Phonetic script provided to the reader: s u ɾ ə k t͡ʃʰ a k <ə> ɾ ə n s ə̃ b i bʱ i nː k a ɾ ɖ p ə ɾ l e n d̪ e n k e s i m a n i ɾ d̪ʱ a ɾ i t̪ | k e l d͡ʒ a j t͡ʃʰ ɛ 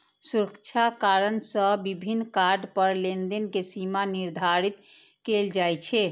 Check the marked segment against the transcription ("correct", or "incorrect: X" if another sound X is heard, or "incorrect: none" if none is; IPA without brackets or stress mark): incorrect: a